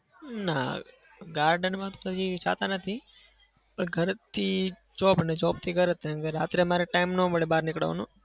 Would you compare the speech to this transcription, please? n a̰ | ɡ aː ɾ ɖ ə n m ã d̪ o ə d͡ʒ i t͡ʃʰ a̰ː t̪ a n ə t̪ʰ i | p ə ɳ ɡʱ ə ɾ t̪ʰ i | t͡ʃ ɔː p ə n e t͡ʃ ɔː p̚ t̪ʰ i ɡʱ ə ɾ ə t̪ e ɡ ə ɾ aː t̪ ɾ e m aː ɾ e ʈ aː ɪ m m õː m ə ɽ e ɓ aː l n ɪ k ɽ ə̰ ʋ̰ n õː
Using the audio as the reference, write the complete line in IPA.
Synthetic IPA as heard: n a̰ | ɡ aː ɾ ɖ ə n m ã t̪ o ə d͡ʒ i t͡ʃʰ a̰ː t̪ a n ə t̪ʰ i | p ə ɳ ɡʱ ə ɾ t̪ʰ i | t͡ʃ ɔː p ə n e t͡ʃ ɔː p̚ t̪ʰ i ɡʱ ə ɾ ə t̪ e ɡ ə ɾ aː t̪ ɾ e m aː ɾ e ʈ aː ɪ m n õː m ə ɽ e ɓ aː ɾ n ɪ k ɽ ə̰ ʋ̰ n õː